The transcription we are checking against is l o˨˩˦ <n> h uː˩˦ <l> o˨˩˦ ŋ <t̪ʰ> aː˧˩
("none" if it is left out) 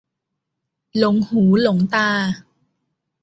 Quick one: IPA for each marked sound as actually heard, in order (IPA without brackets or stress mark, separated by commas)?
ŋ, l, t̪